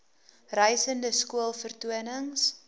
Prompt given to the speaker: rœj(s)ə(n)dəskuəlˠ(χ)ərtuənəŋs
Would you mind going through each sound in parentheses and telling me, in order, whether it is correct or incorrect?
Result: correct, correct, incorrect: f

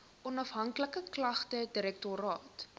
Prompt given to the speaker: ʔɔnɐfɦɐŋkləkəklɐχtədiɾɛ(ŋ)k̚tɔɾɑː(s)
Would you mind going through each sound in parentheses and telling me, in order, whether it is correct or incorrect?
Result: incorrect: none, incorrect: t

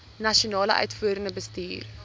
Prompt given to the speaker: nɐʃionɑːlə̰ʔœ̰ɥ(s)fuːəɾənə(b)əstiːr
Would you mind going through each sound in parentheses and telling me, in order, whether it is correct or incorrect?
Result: incorrect: t, correct

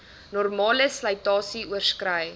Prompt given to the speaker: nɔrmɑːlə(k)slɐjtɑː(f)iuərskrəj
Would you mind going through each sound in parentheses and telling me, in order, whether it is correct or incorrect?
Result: incorrect: none, incorrect: s

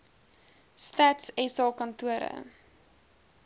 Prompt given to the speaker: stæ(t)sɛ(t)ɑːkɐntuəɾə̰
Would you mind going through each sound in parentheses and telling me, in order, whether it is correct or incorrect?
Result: correct, incorrect: s

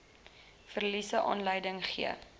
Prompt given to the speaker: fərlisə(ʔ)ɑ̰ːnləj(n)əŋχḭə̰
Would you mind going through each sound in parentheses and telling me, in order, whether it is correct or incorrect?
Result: correct, incorrect: d

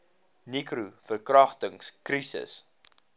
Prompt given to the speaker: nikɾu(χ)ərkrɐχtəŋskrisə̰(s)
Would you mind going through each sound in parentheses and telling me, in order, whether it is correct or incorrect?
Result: incorrect: f, correct

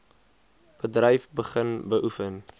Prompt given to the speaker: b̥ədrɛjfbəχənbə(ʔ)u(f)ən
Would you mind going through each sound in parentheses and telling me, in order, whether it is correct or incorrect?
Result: correct, correct

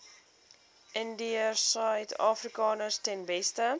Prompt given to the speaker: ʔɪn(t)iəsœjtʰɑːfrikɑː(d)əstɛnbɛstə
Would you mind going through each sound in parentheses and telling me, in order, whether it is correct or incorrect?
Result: incorrect: d, incorrect: n

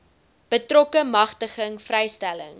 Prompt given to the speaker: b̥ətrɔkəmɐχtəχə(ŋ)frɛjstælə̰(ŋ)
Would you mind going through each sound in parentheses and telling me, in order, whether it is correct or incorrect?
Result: correct, correct

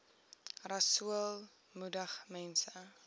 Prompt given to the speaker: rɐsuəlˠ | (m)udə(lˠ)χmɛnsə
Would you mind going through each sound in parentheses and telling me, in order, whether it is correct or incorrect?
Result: correct, incorrect: none

